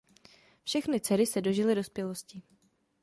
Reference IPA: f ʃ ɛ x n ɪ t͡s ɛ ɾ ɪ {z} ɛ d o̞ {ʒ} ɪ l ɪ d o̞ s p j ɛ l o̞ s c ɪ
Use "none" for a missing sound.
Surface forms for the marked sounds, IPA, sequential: s, ʒ

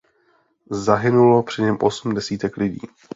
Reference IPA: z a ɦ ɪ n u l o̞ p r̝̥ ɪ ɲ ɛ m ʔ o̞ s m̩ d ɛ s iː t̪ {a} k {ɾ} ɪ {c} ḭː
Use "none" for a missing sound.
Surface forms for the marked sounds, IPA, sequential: ɛ, l, ɟ

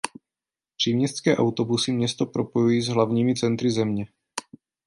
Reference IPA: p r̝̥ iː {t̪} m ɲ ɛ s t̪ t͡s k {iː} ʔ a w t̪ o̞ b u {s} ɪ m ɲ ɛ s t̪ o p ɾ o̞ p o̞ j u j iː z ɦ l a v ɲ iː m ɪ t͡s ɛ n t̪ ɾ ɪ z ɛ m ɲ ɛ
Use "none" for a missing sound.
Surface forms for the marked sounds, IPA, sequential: none, ɛː, s

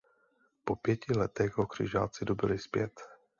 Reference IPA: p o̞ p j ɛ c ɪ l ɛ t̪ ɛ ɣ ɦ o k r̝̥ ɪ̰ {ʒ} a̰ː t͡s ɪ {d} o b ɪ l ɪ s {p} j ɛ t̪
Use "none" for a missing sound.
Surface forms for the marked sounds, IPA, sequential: ʒ, d, p

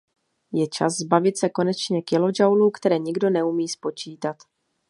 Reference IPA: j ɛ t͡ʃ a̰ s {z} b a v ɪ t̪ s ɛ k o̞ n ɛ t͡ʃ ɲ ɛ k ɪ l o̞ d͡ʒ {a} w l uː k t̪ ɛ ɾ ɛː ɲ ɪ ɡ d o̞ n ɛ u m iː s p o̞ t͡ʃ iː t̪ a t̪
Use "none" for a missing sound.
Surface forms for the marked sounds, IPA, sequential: z, a

